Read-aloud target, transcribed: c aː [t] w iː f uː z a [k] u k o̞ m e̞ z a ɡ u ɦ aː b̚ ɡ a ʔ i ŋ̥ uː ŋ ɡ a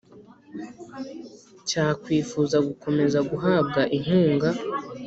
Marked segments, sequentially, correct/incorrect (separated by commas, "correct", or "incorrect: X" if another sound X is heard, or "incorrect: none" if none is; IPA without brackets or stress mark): incorrect: k, incorrect: ɡ